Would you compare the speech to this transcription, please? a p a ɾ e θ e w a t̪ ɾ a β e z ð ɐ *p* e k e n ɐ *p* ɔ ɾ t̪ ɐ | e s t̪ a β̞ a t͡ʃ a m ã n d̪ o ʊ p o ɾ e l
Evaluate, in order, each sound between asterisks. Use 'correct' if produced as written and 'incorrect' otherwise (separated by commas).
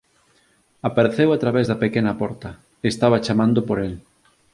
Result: correct, correct